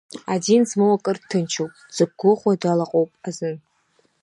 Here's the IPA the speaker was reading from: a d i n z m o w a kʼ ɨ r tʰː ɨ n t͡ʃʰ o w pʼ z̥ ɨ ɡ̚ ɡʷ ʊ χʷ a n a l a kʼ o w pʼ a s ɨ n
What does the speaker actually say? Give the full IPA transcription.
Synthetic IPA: a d i n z m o w a kʼ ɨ r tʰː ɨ n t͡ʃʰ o w pʼ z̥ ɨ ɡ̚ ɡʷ ʊ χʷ a d a l a qʼ o w pʼ a z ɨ n

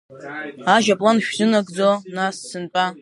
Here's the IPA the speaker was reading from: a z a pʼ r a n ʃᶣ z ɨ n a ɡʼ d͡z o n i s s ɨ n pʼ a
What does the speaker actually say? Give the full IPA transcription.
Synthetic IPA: a ʒ a pʼ l a n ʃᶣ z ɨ n a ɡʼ d͡z o n a s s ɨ n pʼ a

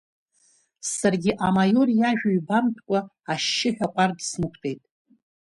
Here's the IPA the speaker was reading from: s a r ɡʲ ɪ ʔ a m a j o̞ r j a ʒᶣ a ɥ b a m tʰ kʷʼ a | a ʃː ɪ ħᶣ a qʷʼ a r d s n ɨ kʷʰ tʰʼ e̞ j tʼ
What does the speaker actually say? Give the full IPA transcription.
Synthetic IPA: s a r ɡʲ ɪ ʔ a m a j o̞ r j a ʒᶣ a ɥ b a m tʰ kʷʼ a | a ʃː ɪ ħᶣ a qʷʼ a r d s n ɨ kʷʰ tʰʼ e̞ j tʼ

